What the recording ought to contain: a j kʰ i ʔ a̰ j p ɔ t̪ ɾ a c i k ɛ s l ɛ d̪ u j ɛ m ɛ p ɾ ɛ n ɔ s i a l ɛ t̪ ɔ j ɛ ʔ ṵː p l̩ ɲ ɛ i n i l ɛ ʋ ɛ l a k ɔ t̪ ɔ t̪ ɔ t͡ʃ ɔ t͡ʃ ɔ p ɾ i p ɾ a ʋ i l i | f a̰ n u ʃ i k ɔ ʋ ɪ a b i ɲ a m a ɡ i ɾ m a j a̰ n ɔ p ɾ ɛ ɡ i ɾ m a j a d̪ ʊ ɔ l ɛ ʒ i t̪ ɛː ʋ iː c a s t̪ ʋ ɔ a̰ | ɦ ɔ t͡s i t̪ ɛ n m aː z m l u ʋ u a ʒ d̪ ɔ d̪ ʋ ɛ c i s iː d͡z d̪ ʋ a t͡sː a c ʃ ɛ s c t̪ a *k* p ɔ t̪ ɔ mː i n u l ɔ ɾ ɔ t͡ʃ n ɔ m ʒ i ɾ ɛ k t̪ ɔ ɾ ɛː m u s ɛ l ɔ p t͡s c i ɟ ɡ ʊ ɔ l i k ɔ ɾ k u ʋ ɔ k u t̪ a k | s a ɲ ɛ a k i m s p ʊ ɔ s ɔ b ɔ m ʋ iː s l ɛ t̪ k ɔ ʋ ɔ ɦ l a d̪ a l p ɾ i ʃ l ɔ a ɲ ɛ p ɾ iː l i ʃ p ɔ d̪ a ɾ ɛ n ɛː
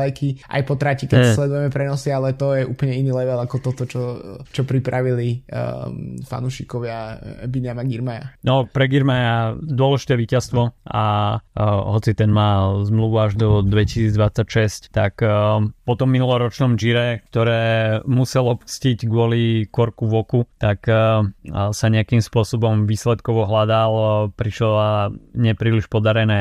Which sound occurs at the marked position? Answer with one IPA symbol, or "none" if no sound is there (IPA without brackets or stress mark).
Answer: k